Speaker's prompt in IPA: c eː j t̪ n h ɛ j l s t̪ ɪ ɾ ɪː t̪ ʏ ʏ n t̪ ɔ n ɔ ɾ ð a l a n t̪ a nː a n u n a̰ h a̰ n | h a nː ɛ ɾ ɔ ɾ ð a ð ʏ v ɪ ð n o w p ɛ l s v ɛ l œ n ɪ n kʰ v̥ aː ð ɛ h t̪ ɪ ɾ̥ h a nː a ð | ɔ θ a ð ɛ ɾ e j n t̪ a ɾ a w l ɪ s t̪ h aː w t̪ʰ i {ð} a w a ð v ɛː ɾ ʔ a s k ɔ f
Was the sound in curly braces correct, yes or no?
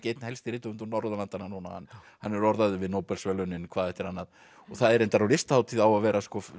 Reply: yes